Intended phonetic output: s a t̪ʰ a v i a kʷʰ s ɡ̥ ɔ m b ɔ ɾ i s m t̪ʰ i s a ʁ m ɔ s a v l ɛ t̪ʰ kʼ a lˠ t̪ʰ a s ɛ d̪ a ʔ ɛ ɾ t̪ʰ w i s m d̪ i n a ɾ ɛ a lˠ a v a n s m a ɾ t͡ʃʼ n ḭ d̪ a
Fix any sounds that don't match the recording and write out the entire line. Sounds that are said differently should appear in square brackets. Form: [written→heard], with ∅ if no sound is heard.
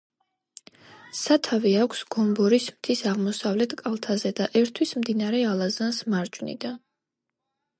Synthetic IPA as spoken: s a t̪ʰ a v i a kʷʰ s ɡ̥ ɔ m b ɔ ɾ i s m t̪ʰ i s a ʁ m ɔ s a v l ɛ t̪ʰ kʼ a lˠ t̪ʰ a [s→z] ɛ d̪ a ʔ ɛ ɾ t̪ʰ w i s m d̪ i n a ɾ ɛ a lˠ a [v→z] a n s m a ɾ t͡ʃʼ n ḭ d̪ a